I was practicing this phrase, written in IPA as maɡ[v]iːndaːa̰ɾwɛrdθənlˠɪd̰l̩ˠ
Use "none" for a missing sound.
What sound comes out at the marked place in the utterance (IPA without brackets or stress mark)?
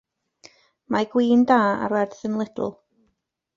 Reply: w